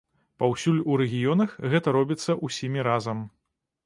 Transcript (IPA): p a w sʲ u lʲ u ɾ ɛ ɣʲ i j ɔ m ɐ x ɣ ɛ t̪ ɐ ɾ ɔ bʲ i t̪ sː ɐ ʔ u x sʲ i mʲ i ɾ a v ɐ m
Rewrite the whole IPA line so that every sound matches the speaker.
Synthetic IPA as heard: p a w sʲ u lʲ u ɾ ɛ ɣʲ i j ɔ n ɐ x ɣ ɛ t̪ ɐ ɾ ɔ bʲ i t̪ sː ɐ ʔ u sʲ i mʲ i ɾ a z ɐ m